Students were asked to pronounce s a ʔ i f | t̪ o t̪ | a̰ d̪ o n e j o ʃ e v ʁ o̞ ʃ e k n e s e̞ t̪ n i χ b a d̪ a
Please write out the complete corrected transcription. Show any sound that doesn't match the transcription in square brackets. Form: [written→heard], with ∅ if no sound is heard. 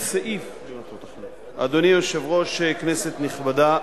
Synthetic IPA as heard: s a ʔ i f | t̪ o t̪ | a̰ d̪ o n [e→i] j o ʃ e v ʁ o̞ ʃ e k n e s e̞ t̪ n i χ b a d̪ a